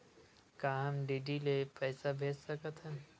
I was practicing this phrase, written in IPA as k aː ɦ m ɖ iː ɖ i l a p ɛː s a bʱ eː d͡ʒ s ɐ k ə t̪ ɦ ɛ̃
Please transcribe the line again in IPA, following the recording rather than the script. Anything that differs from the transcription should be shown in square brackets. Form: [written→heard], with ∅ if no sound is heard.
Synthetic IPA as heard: k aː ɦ m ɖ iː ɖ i l [a→e] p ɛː s a bʱ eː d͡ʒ s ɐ k ə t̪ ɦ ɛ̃